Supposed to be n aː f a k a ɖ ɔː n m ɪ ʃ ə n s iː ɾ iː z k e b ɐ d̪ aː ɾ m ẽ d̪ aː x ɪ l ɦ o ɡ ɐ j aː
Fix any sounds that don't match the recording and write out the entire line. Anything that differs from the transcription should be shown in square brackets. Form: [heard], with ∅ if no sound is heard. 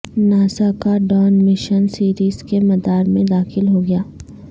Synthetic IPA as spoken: n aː [s] a k a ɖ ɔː n m ɪ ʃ ə n s iː ɾ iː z k e [m] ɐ d̪ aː ɾ m ẽ d̪ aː x ɪ l ɦ o ɡ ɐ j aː